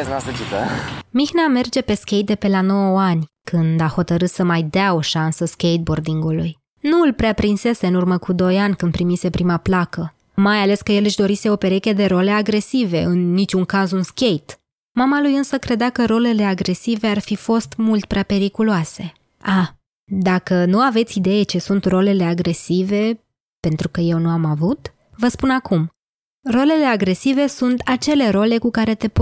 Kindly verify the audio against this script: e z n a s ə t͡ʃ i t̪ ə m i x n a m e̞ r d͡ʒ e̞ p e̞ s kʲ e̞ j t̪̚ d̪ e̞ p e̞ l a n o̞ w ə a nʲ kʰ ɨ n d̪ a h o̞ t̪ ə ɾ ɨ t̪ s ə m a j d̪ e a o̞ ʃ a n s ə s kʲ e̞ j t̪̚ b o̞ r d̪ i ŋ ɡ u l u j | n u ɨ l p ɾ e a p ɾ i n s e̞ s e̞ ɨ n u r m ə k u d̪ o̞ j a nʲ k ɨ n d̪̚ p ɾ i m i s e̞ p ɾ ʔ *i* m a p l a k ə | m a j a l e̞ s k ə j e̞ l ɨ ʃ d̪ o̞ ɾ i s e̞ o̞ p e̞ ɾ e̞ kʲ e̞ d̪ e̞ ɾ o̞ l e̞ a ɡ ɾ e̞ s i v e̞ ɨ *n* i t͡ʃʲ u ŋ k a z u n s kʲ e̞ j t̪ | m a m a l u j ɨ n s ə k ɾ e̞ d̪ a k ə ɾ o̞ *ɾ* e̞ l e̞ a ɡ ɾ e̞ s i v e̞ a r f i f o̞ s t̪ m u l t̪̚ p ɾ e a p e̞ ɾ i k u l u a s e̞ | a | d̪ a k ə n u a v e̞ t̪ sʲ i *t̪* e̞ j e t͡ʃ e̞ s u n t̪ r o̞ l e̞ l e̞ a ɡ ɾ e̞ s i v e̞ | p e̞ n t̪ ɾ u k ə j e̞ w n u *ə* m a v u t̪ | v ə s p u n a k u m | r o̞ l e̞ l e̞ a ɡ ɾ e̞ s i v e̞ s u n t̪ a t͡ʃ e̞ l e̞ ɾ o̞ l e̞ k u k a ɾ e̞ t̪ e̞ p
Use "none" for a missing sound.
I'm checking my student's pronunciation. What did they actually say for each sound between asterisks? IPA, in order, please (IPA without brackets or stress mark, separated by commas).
i, nː, l, d̪, a